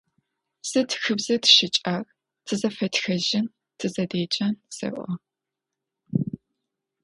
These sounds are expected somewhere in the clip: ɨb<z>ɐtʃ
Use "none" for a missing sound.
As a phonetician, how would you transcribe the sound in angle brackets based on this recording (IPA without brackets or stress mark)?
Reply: z